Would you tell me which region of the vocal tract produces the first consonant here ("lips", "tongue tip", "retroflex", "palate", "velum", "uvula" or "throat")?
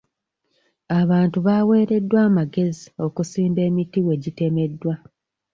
lips